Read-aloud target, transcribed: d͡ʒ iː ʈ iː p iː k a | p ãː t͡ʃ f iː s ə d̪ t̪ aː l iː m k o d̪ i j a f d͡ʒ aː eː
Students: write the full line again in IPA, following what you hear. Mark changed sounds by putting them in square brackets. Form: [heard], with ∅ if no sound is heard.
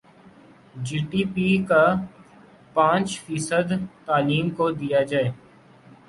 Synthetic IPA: d͡ʒ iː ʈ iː p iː k a | p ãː t͡ʃ f iː s ə d̪ t̪ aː l iː m k o d̪ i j a [∅] d͡ʒ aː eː